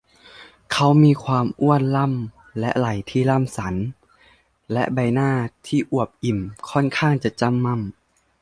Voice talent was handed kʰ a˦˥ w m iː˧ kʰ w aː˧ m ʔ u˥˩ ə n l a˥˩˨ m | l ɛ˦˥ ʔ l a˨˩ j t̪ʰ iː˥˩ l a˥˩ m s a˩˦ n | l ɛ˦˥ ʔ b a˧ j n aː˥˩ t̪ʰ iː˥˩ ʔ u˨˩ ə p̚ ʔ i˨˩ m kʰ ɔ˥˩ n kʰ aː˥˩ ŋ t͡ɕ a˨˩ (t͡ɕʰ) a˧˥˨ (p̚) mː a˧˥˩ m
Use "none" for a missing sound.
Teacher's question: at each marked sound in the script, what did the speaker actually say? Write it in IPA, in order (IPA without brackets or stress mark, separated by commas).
t͡ɕ, none